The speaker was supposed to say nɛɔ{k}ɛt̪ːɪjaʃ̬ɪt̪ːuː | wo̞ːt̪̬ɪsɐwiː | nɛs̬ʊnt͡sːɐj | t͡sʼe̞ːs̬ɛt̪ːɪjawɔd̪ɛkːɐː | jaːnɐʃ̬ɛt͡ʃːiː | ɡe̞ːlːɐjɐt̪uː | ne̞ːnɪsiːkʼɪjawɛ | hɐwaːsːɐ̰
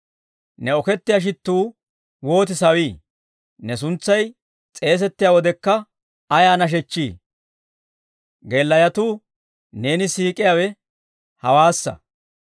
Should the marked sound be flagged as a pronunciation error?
no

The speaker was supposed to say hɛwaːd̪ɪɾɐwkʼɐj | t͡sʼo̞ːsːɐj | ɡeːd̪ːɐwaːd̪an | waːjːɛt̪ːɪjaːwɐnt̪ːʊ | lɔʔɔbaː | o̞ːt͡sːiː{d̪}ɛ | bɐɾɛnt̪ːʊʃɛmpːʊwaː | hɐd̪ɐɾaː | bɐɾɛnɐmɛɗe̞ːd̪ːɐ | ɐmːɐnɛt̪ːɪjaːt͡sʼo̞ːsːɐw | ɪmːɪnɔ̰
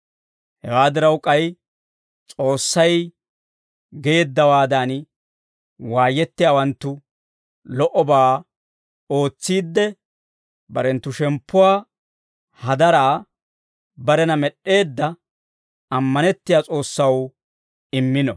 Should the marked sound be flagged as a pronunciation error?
yes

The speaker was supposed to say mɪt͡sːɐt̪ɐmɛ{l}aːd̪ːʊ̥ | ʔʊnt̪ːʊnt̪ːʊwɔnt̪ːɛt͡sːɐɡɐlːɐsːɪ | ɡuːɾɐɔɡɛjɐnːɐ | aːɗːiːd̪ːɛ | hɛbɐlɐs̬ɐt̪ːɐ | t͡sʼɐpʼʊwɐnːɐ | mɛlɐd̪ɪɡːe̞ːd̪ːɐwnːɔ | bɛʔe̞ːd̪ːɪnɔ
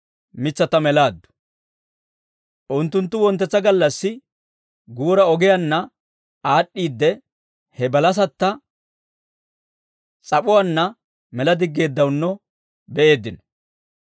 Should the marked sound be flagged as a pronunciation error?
no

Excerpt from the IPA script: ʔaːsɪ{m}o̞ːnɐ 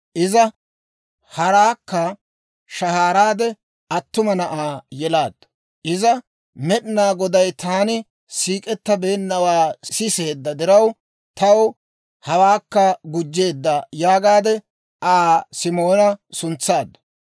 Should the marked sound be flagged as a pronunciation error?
no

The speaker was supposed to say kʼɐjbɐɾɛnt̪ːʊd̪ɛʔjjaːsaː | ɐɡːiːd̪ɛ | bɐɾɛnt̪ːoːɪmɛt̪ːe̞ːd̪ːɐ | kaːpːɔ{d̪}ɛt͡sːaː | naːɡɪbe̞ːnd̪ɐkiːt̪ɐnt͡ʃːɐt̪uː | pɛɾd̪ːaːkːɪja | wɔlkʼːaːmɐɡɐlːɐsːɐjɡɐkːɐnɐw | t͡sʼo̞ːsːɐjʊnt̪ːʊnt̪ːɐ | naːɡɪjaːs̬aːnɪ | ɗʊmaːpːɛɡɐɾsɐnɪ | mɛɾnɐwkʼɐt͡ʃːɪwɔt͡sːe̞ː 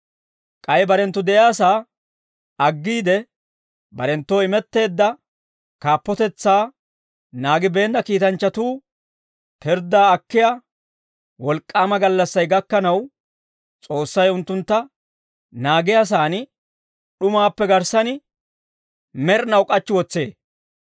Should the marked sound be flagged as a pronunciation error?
yes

